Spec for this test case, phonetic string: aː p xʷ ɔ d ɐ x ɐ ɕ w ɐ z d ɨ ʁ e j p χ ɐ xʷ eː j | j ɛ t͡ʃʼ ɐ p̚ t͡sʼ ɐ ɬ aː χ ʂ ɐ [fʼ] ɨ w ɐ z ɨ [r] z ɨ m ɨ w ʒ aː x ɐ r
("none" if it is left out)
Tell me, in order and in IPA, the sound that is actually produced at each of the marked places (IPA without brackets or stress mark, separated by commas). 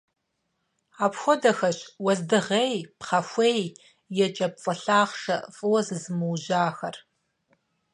fʼ, none